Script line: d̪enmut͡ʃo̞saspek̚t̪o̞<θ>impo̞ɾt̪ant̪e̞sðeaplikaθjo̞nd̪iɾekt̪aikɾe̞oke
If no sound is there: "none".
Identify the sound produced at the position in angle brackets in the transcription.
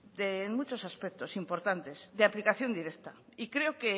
s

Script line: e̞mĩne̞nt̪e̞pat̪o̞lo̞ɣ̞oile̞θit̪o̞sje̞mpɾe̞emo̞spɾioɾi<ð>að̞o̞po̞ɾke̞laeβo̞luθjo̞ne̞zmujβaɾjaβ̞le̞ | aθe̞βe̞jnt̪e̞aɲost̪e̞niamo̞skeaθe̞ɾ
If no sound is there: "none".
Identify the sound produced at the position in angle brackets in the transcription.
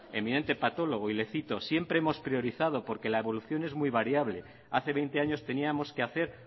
θ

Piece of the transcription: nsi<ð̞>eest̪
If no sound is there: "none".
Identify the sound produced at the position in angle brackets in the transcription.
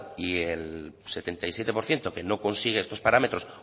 ɣ̞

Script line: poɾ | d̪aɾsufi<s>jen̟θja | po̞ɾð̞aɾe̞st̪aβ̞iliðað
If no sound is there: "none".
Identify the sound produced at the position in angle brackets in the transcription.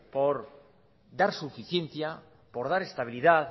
θ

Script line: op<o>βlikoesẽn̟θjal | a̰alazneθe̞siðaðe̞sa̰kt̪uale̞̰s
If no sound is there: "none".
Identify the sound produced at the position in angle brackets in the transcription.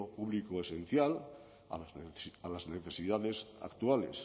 u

